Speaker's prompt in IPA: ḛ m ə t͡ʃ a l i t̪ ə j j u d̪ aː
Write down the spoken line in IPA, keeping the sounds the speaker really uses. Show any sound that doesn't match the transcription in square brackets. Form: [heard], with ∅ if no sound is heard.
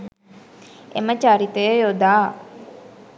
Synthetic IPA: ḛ m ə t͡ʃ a [ɾ] i t̪ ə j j [o] d̪ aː